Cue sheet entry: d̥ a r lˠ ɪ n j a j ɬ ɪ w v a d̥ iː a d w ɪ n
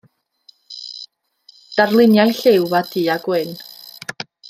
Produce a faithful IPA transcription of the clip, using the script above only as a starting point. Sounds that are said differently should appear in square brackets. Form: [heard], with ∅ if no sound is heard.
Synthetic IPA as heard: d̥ a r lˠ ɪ n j a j ɬ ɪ w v a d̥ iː a [ɡ] w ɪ n